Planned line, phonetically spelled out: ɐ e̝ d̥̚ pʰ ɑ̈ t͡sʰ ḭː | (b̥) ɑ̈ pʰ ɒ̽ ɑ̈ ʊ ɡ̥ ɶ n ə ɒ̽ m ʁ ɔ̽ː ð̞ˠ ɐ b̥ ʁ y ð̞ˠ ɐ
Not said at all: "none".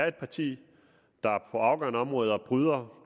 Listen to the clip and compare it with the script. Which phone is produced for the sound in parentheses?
d̥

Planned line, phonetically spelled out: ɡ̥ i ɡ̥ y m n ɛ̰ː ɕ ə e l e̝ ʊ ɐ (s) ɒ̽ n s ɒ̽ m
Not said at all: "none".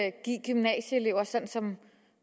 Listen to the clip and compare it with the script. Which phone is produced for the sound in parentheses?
s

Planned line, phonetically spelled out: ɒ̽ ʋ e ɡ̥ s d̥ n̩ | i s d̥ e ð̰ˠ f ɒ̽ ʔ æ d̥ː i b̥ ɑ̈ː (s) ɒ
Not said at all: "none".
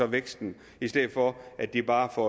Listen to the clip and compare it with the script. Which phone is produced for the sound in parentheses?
f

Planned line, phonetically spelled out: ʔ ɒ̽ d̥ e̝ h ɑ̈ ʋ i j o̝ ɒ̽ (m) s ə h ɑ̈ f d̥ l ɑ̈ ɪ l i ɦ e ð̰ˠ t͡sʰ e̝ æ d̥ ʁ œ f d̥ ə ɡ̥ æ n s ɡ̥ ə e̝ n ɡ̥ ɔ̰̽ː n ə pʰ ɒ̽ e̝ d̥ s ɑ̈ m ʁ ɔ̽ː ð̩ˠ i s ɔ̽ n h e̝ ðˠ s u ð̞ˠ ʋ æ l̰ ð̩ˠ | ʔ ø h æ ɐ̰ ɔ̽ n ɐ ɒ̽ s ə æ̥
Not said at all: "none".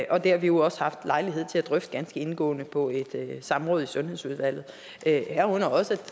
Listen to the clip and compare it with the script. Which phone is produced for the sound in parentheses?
none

